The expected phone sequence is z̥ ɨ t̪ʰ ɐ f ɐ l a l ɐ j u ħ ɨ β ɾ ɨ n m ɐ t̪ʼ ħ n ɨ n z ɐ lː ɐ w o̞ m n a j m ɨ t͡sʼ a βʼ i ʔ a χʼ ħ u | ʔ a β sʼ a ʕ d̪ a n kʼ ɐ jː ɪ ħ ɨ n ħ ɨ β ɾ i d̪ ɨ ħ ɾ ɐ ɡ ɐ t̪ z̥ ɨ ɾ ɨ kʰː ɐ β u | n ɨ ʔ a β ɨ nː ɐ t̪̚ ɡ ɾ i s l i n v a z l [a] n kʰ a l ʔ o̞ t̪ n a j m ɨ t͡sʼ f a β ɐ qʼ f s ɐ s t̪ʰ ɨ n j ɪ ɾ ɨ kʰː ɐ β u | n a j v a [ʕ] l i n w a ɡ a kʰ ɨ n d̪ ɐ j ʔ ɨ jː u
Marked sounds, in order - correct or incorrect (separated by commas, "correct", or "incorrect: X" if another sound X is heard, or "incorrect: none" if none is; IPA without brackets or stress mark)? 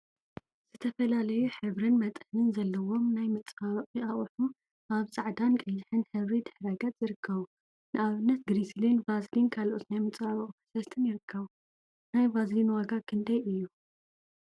incorrect: i, incorrect: z